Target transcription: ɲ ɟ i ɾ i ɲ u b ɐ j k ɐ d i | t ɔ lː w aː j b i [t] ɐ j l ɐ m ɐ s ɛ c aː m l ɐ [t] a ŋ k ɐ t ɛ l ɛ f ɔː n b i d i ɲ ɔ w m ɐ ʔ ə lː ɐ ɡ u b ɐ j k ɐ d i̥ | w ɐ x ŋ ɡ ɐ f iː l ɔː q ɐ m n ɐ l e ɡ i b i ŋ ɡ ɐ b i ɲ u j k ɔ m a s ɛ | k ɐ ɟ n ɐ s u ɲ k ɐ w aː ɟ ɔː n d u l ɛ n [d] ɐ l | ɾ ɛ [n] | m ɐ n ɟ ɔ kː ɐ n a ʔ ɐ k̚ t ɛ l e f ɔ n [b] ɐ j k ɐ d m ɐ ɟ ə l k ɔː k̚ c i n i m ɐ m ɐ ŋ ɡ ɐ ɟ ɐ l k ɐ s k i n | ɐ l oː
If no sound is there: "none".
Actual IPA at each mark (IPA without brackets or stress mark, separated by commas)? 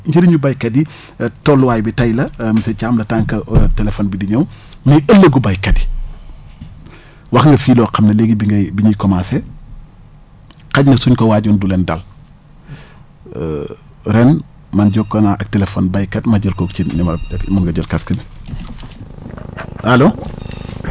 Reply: t, t, d, n, b